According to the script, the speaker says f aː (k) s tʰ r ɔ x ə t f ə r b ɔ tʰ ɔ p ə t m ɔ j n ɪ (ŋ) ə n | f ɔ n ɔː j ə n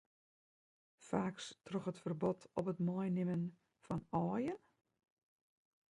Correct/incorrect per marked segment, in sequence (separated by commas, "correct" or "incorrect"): correct, incorrect